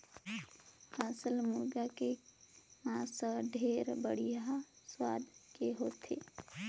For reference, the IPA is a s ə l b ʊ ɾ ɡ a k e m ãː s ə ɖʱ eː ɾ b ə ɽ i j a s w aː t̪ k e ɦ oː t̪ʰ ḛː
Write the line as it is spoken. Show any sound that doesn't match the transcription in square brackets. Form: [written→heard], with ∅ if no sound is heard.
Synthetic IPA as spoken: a s ə l [b→m] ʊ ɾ ɡ a k e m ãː s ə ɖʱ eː ɾ b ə ɽ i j a s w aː [t̪→d̪] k e ɦ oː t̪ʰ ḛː